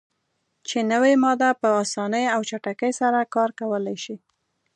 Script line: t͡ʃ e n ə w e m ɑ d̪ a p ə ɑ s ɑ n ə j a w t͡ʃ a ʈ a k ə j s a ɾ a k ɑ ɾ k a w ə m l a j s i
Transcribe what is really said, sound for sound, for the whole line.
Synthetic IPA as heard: t͡ʃ e n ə w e m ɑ d̪ a p ə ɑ s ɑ n ə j a w t͡ʃ a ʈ a k ə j s a ɾ a k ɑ ɾ k a w ə l a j ʃ i